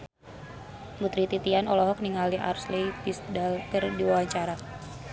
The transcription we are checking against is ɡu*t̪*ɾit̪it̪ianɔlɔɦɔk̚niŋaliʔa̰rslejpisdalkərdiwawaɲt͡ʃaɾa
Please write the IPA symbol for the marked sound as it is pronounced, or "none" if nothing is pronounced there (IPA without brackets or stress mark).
t̪